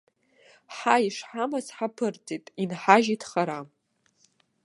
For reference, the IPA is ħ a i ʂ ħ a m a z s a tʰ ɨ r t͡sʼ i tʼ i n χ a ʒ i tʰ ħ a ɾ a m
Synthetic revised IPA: ħ a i ʂ ħ a m a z ħ a pʰ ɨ r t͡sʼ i tʼ i n ħ a ʒ i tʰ χ a ɾ a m

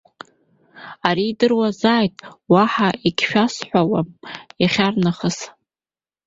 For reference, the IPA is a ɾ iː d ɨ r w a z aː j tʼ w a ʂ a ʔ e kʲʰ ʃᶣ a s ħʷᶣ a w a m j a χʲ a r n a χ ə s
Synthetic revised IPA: a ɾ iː d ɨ r w a z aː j tʼ w a ħ a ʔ i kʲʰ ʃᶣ a s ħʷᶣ a w a m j a χʲ a r n a χ ə s

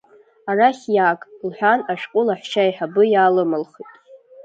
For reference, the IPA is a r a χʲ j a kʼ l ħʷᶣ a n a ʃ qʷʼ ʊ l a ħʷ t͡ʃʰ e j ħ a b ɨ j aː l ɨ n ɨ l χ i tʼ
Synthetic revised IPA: a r a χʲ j a kʼ l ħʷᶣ a n a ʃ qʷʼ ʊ l a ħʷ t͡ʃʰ a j ħ a b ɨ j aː l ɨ m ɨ l χ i tʼ

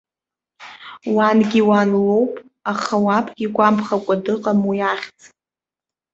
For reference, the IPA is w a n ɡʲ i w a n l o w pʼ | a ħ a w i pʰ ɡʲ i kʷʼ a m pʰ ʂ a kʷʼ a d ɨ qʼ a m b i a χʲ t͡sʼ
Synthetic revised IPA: w a n ɡʲ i w a n l o w pʼ | a χ a w a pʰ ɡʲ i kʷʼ a m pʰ χ a kʷʼ a d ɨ qʼ a m w i a χʲ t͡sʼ

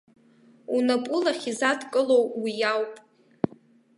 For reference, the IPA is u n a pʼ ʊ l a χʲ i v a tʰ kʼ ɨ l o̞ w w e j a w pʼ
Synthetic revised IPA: u n a pʼ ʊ l a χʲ i z a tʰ kʼ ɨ l o̞ w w i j a w pʼ

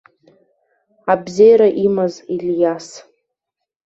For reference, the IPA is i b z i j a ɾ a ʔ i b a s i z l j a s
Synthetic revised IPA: a b z e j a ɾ a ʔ i m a z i l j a s

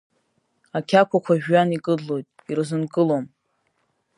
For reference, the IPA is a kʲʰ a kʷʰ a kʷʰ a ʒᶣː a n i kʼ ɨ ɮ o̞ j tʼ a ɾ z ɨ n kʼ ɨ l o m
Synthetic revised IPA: a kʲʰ a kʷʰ a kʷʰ a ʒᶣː a n i kʼ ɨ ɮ o̞ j tʼ i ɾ z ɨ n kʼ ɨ l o m

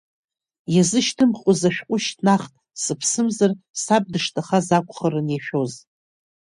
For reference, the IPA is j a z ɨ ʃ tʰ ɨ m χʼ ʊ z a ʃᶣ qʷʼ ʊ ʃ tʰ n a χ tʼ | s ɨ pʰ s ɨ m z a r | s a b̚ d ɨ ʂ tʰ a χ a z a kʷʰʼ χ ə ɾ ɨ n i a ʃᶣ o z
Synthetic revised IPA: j a z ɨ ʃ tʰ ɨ m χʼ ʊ z a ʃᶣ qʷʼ ʊ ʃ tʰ n a χ tʼ | s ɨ pʰ s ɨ m z a r | s a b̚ d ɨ ʂ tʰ a χ a z a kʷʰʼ χ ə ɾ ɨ n j a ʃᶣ o z

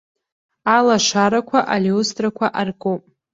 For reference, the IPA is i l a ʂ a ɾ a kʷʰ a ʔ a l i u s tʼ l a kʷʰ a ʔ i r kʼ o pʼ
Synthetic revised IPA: a l a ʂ a ɾ a kʷʰ a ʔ a l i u s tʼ r a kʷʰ a ʔ a r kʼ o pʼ

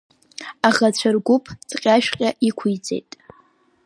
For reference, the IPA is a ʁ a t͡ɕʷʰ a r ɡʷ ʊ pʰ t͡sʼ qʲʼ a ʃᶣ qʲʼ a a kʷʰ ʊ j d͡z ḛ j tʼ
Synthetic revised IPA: a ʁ a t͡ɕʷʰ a r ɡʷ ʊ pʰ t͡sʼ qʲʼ a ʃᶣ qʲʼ a i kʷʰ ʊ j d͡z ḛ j tʼ

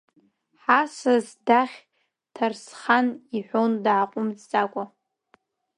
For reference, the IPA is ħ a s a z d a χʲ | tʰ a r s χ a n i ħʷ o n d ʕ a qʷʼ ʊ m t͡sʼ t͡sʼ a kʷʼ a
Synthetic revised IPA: ħ a s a z d a χʲ | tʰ a r s χ a n i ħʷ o n d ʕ a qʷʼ ʊ m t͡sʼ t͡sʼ a kʷʼ a

